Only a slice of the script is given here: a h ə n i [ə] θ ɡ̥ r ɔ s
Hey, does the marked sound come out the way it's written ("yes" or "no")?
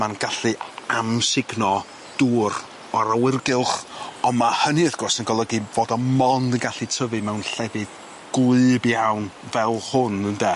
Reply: yes